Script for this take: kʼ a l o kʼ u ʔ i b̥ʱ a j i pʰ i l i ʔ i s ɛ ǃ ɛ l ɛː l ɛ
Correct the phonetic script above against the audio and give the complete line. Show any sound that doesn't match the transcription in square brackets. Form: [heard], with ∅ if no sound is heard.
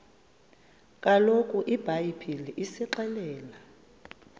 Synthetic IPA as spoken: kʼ a l o kʼ u ʔ i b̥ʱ a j i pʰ i l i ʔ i s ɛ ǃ ɛ l ɛː l [a]

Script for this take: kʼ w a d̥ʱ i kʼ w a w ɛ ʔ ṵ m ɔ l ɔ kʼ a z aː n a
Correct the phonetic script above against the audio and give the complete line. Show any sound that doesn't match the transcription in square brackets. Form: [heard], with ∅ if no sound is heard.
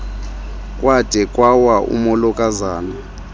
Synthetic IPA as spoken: kʼ w a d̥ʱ [ɛ] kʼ w a w [a] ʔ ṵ m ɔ l ɔ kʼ a z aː n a

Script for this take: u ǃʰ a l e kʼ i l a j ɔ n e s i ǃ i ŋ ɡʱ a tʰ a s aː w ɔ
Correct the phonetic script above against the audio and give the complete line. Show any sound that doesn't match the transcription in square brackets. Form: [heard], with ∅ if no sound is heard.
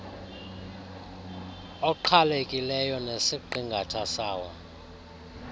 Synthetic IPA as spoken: [ɔ] ǃʰ a l e kʼ i l [ɛ] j ɔ n e s i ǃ i ŋ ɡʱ a tʰ a s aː w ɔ

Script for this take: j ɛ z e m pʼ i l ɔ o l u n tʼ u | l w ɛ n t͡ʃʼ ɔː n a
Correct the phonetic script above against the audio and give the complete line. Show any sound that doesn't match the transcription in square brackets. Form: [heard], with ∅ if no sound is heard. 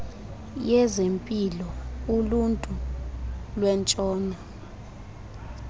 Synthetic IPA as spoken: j ɛ z e m pʼ i l ɔ [u] l u n tʼ u | l w ɛ n t͡ʃʼ ɔː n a

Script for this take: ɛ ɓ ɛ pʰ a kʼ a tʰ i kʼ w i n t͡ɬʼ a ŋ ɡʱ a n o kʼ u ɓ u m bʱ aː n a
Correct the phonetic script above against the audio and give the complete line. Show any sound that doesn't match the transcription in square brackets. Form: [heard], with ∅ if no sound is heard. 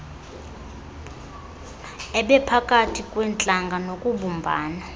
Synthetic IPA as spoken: ɛ ɓ ɛ pʰ a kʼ a tʰ i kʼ w [ɛ] n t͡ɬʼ a ŋ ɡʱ a n o kʼ u ɓ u m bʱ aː n a

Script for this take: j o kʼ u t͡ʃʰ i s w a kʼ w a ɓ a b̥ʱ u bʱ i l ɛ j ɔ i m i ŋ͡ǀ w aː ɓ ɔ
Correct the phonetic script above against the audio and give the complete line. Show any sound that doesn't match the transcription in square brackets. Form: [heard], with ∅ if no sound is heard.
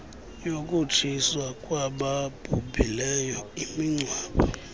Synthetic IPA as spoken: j o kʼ u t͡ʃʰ i s w a kʼ w a ɓ a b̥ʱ u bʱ i l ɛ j ɔ i m i ŋ͡ǀ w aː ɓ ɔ

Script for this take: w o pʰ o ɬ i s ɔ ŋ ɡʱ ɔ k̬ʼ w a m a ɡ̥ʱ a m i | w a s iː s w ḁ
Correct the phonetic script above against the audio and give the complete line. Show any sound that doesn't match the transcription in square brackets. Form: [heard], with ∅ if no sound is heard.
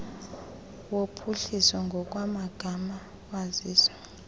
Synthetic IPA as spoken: w o pʰ [u] ɬ i s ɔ ŋ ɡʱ ɔ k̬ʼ w a m a ɡ̥ʱ a m [a] | w a [z] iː s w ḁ

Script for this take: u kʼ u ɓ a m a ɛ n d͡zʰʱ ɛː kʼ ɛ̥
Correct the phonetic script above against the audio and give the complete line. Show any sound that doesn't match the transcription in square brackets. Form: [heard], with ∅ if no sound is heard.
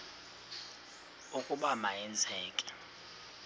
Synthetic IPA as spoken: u kʼ u ɓ a m a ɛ n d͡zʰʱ ɛː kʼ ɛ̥

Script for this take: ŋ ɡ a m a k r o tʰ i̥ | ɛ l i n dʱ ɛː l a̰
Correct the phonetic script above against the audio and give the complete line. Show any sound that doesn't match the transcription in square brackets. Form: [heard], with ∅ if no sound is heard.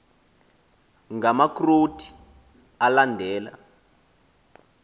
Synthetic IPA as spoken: ŋ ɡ a m a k r o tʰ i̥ | [a] l [a] n dʱ ɛː l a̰

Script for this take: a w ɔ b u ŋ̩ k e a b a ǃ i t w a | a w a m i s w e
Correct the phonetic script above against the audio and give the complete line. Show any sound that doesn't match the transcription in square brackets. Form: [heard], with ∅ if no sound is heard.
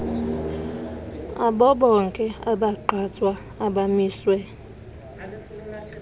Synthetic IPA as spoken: a [b] ɔ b [ɔ] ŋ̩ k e a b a ǃ [a] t w a | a [b] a m i s w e

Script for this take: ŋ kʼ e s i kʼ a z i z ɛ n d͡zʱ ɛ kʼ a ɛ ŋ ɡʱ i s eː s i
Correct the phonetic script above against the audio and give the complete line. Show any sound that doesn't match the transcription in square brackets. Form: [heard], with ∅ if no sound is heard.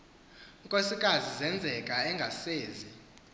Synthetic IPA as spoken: ŋ kʼ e s i kʼ a z i z ɛ n d͡zʱ ɛ kʼ a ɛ ŋ ɡʱ [a] s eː [z] i

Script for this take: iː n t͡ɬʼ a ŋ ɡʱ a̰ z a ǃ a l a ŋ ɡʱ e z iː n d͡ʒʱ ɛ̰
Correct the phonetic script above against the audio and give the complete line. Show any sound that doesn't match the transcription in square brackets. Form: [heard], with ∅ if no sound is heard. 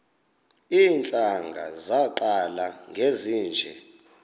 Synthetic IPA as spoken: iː n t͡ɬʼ a ŋ ɡʱ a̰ z a ǃ a l a ŋ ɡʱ e z iː n d͡ʒʱ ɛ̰

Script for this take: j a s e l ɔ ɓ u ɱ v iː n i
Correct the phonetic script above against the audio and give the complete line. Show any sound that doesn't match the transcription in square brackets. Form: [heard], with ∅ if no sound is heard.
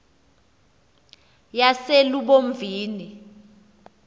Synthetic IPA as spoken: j a s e l [u] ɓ [o] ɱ v iː n i

